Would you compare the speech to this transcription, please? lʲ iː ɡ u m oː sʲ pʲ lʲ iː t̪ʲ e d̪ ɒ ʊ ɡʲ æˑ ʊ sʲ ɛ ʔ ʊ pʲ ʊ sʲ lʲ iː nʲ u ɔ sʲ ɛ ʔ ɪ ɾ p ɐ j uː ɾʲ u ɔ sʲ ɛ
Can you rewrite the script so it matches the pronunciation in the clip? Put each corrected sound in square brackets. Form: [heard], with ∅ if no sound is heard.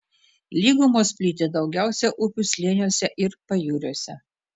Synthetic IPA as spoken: lʲ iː ɡ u m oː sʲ pʲ lʲ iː t̪ʲ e d̪ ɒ ʊ ɡʲ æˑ ʊ sʲ ɛ ʔ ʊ pʲ ʊ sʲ lʲ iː nʲ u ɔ sʲ ɛ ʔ ɪ ɾ p ɐ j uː ɾʲ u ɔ sʲ ɛ